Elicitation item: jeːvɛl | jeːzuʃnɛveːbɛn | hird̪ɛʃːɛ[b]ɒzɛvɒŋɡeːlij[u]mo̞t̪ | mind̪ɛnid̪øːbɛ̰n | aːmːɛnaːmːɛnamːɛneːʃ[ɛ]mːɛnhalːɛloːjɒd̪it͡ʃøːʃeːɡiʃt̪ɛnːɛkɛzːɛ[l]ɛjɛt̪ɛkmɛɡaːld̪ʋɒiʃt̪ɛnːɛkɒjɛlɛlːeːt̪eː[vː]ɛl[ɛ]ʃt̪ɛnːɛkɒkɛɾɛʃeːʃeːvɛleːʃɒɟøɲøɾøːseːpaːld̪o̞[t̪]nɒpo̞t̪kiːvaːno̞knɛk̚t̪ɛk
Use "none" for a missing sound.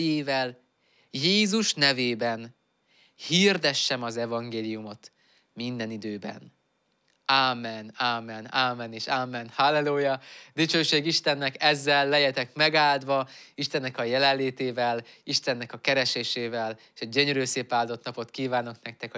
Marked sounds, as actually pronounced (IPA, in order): m, u, a, lː, v, i, t̪

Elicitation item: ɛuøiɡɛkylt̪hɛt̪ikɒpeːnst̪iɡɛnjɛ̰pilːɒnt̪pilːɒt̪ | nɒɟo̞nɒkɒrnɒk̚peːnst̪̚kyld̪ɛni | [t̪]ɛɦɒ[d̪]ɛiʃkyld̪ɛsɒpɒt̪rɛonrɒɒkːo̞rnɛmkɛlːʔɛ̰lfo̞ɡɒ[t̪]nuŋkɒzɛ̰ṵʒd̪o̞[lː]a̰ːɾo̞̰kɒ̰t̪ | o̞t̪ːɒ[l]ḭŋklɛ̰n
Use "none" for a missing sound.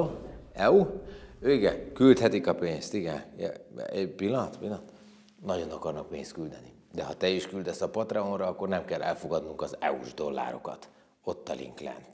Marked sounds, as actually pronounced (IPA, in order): d̪, t̪, d̪, lː, l

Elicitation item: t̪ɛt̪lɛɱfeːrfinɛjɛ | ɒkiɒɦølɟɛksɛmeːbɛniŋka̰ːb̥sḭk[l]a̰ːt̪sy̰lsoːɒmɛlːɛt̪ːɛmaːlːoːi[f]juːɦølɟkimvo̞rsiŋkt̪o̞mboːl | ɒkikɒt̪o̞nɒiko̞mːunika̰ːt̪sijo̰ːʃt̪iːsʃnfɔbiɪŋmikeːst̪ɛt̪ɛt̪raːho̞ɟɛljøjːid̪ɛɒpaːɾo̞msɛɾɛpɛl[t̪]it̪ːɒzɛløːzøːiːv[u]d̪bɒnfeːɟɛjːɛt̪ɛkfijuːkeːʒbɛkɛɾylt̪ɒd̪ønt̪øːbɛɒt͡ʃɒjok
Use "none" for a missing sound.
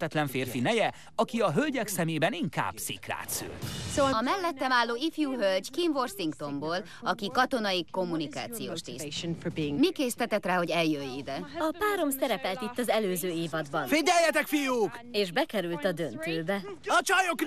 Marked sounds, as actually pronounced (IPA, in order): r, f, t̪, ɒ

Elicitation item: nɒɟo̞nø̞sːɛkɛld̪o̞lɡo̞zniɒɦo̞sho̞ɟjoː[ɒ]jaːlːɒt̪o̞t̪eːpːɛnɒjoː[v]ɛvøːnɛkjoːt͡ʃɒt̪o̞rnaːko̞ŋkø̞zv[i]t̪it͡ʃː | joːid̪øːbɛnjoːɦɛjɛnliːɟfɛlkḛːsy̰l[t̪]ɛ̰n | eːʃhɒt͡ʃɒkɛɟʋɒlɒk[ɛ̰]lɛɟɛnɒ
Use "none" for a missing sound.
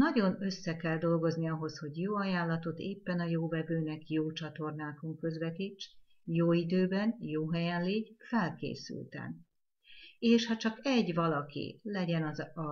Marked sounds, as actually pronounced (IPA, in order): ɒ, v, ɛ, t̪, ḭ

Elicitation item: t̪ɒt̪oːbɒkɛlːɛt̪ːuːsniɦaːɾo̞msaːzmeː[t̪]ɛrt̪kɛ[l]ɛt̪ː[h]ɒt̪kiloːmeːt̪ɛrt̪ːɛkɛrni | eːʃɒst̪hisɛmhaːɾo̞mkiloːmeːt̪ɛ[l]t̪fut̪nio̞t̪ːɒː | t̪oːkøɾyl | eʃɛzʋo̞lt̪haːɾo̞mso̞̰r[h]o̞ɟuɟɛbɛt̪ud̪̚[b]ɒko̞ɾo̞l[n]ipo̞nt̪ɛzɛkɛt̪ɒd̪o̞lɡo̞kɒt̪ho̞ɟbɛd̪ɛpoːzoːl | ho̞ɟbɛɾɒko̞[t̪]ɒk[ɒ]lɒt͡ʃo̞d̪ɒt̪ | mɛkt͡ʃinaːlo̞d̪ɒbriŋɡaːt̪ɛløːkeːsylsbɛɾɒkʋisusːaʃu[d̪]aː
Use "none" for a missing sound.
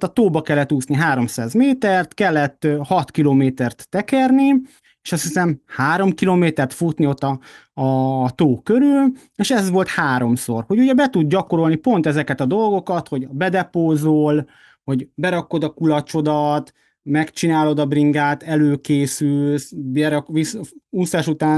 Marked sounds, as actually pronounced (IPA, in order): t̪, lː, h, r, h, ɟ, n, d̪, u, t̪

